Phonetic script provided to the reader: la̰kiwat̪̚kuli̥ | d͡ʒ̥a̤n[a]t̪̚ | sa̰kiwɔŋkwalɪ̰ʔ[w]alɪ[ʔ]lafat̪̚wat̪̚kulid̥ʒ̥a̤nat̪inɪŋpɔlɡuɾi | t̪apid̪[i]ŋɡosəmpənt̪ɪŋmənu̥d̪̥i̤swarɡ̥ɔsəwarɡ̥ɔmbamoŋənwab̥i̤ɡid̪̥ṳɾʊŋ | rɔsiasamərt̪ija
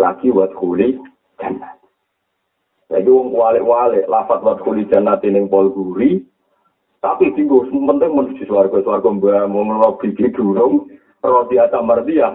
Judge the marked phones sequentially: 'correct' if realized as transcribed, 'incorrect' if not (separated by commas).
correct, correct, correct, correct